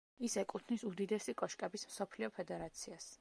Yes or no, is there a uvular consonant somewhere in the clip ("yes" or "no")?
no